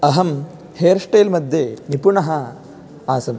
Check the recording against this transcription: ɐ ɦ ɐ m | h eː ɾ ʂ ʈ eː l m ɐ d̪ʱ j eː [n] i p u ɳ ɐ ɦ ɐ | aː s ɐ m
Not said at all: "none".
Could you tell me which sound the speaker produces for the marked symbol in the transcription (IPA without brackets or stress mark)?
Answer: n